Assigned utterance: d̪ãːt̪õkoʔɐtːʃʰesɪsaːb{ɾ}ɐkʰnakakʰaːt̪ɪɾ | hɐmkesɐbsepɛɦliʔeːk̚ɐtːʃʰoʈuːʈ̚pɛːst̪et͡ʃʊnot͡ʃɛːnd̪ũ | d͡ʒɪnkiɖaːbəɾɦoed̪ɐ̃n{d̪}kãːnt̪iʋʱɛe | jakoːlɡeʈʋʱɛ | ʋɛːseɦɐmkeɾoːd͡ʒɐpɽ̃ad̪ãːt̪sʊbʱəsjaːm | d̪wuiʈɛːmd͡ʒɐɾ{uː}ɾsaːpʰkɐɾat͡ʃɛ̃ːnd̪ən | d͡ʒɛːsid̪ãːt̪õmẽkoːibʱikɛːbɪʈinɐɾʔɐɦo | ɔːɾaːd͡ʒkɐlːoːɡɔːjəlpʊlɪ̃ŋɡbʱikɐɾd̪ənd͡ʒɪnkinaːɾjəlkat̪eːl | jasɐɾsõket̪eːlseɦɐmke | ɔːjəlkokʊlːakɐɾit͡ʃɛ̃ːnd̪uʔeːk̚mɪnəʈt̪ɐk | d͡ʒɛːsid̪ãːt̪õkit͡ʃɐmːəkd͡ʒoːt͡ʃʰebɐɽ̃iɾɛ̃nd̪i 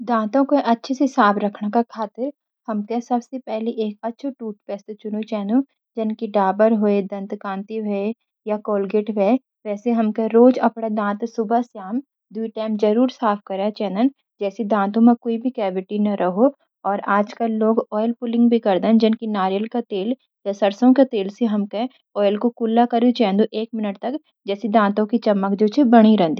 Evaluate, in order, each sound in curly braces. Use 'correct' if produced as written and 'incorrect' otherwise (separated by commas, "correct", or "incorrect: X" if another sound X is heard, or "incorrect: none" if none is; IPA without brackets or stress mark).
correct, incorrect: t̪, correct